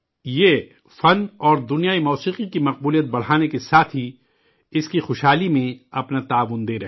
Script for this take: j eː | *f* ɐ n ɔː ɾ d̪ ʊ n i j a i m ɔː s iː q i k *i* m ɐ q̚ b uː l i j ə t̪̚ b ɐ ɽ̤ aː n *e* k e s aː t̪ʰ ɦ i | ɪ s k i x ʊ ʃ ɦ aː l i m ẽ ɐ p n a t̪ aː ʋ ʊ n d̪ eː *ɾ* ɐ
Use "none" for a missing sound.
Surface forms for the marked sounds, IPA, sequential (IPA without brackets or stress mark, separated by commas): f, i, e, ɾ